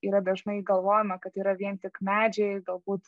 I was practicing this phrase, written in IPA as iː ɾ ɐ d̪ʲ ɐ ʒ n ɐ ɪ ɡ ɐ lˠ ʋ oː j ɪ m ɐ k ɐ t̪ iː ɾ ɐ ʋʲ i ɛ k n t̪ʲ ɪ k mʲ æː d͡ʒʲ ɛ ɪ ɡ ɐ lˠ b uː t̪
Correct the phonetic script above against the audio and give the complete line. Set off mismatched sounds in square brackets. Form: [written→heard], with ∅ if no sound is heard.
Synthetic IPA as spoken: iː ɾ ɐ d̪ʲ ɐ ʒ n ɐ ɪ ɡ ɐ lˠ ʋ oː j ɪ m ɐ k ɐ t̪ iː ɾ ɐ ʋʲ i ɛ [k→∅] n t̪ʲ ɪ k mʲ æː d͡ʒʲ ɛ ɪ ɡ ɐ lˠ b uː t̪